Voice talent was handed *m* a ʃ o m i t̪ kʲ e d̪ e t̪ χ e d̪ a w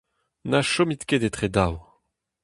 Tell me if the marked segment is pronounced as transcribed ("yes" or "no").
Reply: no